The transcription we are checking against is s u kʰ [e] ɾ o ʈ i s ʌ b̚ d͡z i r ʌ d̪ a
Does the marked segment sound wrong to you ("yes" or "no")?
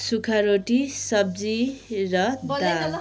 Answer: yes